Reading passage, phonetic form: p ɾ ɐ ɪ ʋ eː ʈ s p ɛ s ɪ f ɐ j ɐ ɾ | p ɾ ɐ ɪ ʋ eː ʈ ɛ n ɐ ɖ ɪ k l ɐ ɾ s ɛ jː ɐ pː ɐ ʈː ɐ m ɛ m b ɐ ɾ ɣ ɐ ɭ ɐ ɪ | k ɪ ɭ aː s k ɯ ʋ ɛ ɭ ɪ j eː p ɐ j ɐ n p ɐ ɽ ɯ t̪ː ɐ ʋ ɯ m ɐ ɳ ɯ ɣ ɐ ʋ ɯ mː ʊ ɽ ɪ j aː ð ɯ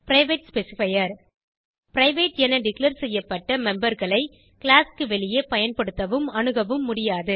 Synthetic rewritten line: p ɾ ɐ ɪ ʋ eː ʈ s p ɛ s ɪ f ɐ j ɐ ɾ | p ɾ ɐ ɪ ʋ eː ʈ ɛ n ɐ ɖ ɪ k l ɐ ɾ s ɛ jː ɐ pː ɐ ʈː ɐ m ɛ m b ɐ ɾ ɣ ɐ ɭ ɐ ɪ | k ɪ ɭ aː s k ɯ ʋ ɛ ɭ ɪ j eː p ɐ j ɐ n p ɐ ɽ ɯ t̪ː ɐ ʋ ɯ m ɐ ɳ ɯ ɣ ɐ ʋ ɯ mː ʊ ɽ ɪ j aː ð ɯ